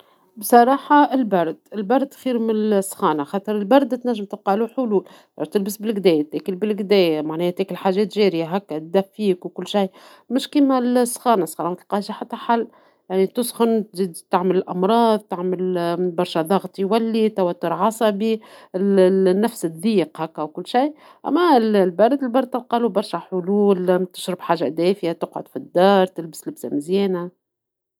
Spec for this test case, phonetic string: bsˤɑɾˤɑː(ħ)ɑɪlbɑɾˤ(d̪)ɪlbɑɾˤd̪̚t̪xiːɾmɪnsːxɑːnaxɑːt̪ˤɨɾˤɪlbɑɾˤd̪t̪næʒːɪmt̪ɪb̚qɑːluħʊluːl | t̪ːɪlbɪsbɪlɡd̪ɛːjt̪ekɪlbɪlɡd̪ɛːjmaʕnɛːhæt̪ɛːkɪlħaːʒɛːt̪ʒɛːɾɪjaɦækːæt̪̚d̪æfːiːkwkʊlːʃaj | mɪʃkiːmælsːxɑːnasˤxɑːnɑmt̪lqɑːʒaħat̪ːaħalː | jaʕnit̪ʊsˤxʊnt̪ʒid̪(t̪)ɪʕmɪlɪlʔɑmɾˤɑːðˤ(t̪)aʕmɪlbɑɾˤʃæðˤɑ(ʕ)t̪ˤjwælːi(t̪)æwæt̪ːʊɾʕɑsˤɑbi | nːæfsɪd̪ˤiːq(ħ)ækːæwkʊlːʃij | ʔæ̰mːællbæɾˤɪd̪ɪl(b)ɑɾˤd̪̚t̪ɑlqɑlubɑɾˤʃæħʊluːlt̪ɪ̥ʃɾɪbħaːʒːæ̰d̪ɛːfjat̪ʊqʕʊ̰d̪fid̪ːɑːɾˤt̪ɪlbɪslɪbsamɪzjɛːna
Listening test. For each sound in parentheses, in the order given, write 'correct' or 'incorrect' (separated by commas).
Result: correct, correct, correct, correct, incorrect, correct, incorrect, correct